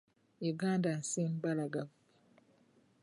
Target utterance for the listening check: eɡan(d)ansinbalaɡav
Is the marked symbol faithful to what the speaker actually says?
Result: yes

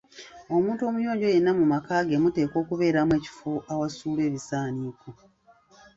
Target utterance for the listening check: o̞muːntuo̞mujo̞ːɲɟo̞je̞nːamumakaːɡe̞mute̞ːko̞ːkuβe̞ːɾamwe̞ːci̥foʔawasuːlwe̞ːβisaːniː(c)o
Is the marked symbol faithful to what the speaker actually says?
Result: no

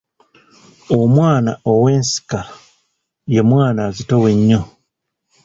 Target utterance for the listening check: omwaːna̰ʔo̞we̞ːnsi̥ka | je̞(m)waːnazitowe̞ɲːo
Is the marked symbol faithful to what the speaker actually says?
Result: yes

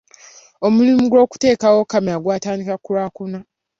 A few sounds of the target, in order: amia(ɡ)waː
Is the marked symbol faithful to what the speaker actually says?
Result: yes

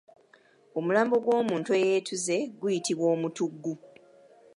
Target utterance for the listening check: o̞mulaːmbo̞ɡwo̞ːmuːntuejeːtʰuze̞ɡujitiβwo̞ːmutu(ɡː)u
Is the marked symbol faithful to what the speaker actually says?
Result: yes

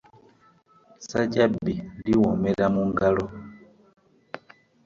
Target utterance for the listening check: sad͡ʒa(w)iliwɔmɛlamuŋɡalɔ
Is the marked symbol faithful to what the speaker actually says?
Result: no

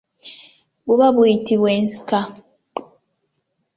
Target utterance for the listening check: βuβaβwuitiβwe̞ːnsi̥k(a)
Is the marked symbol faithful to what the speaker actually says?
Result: yes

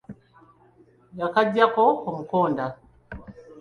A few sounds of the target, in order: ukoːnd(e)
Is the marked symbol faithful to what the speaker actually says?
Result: no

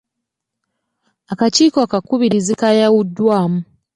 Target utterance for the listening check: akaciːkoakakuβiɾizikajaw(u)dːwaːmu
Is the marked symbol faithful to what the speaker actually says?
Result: yes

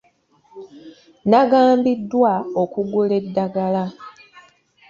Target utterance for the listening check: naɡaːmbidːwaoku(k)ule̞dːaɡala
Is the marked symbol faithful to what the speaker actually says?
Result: no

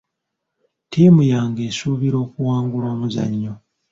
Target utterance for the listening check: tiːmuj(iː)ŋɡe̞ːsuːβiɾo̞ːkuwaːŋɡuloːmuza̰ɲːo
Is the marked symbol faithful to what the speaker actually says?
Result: no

